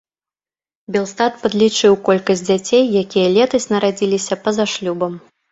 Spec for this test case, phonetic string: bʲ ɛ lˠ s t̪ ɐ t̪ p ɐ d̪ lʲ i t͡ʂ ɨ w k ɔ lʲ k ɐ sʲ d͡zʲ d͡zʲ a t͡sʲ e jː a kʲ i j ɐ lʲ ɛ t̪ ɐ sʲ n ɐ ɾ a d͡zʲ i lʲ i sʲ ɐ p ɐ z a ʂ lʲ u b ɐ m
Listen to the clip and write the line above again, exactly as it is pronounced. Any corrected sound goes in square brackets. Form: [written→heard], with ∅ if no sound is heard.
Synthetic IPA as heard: bʲ ɛ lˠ s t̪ [ɐ→a] t̪ p ɐ d̪ lʲ i t͡ʂ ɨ w k ɔ lʲ k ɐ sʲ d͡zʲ d͡zʲ a t͡sʲ e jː a kʲ i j ɐ lʲ ɛ t̪ ɐ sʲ n ɐ ɾ a d͡zʲ i lʲ i sʲ ɐ p ɐ z a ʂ lʲ u b ɐ m